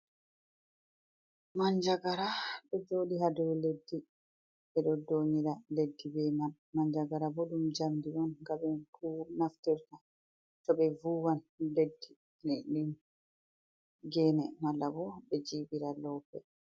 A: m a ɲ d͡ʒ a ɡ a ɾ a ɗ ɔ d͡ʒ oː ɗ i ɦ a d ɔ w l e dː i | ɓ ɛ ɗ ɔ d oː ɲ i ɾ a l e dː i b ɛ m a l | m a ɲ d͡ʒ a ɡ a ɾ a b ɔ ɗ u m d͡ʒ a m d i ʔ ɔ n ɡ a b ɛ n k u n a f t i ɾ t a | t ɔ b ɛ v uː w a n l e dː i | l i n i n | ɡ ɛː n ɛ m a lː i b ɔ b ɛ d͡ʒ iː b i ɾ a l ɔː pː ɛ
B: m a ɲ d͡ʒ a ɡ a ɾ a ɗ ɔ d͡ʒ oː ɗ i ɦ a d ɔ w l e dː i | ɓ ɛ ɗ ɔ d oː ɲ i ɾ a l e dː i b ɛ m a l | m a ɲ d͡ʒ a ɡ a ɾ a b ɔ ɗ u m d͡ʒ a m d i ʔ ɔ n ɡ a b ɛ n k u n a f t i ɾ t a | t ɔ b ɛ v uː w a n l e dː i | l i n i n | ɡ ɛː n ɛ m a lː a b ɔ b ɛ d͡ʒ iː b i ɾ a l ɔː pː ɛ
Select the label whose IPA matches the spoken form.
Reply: B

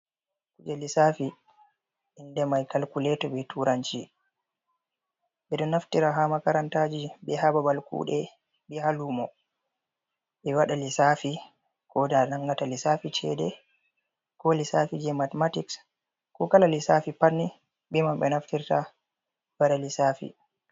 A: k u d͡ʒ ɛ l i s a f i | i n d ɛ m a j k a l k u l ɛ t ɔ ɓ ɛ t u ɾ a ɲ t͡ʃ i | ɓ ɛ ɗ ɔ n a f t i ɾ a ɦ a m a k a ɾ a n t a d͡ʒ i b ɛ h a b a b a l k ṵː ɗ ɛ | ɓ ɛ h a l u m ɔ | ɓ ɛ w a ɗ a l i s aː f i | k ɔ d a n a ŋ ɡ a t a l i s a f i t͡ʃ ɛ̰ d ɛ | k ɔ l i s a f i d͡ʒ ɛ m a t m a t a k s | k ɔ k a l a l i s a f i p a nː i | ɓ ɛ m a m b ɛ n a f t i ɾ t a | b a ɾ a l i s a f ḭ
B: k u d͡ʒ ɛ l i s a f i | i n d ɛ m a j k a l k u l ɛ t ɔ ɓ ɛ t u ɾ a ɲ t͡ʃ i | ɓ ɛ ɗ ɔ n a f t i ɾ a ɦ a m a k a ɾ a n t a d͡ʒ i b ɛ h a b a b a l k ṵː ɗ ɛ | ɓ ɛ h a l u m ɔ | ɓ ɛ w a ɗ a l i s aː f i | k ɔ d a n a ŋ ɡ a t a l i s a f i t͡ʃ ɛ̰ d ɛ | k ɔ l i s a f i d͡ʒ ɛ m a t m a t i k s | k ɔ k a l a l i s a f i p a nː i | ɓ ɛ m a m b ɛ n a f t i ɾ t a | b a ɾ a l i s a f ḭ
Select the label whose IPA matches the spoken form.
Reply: B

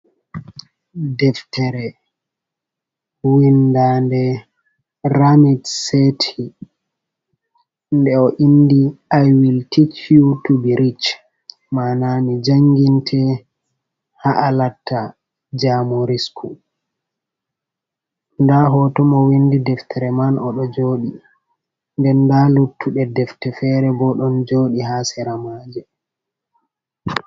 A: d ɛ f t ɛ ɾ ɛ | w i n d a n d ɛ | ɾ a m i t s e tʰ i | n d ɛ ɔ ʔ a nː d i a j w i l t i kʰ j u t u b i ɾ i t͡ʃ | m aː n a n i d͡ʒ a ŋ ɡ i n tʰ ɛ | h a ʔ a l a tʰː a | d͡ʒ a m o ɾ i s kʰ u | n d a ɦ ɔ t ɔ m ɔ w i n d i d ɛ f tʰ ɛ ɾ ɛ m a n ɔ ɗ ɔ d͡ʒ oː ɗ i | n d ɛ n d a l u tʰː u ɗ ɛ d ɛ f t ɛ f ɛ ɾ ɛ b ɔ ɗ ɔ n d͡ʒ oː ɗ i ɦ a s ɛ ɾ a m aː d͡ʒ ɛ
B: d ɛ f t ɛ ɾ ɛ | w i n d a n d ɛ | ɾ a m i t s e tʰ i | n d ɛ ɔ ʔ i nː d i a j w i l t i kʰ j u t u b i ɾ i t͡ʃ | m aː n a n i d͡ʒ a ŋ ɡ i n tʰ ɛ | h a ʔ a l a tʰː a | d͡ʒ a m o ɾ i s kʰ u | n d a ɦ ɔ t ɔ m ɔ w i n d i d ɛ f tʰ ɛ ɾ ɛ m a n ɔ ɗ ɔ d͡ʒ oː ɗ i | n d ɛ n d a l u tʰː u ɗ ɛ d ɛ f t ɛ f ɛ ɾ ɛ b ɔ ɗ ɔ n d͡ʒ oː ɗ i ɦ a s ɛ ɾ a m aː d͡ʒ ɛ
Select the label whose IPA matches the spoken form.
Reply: B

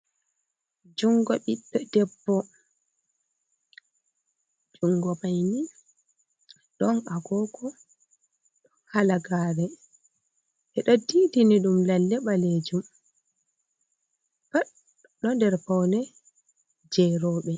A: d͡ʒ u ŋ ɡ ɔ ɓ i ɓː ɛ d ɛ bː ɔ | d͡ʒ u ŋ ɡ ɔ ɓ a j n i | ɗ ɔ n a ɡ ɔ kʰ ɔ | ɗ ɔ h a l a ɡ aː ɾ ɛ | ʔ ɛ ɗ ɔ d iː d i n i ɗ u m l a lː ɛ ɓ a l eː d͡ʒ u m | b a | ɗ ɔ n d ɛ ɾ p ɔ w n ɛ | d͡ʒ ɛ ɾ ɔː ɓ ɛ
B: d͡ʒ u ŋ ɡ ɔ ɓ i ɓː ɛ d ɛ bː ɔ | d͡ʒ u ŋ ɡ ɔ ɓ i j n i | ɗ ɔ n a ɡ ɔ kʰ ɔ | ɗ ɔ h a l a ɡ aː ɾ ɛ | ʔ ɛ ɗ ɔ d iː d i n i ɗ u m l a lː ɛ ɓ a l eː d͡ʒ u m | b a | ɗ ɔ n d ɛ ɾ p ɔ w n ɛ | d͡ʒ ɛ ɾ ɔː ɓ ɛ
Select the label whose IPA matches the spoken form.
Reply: A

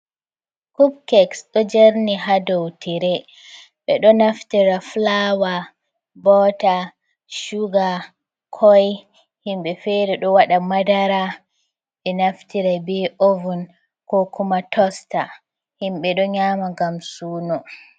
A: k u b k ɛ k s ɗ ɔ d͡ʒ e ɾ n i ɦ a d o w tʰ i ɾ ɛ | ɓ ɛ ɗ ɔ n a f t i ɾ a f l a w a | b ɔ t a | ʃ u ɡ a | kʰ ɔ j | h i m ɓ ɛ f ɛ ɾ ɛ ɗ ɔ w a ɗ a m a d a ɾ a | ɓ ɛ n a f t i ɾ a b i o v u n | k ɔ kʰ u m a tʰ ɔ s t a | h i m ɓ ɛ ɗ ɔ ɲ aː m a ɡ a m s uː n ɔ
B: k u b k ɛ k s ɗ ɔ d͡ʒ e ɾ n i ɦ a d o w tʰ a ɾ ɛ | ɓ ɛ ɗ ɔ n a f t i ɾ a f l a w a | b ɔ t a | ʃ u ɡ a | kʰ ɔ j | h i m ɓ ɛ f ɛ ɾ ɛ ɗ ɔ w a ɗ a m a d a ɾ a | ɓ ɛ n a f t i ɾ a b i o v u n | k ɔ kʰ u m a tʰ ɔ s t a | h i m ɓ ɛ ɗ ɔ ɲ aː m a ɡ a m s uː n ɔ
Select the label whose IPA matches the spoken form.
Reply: A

